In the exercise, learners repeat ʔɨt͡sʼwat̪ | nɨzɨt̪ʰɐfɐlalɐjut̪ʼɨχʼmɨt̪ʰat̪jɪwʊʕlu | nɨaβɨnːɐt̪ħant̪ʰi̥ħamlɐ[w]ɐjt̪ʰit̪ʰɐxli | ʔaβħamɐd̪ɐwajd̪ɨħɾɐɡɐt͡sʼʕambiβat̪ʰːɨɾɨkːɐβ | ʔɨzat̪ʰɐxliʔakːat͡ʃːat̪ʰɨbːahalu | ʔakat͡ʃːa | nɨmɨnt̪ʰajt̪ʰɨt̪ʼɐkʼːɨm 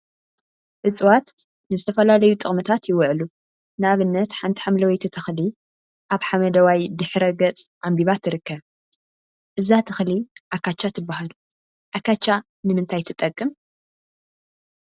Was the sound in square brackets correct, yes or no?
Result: yes